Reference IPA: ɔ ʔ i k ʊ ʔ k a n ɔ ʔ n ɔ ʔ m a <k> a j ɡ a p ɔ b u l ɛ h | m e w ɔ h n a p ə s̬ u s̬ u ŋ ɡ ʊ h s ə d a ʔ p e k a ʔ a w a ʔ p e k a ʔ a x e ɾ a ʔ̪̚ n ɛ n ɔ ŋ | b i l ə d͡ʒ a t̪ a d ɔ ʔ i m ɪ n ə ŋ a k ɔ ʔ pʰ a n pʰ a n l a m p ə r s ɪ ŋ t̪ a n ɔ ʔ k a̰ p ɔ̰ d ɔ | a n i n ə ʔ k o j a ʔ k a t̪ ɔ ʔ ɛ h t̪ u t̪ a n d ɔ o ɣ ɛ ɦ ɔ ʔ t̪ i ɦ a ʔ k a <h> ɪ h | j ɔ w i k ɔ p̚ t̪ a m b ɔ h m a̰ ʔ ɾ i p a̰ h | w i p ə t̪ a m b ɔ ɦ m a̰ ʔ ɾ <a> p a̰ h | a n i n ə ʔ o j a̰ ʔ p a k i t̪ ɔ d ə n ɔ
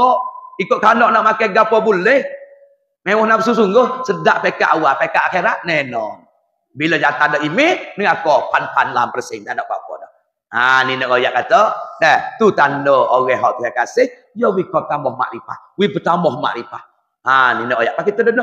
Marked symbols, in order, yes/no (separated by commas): yes, no, no